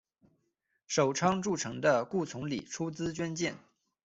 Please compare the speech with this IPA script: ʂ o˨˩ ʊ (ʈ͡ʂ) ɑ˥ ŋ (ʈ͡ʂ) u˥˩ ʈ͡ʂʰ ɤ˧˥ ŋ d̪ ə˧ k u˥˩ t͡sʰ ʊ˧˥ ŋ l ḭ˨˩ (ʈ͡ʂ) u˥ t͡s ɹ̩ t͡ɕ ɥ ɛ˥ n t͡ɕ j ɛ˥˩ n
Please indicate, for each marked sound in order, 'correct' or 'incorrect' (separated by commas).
incorrect, correct, incorrect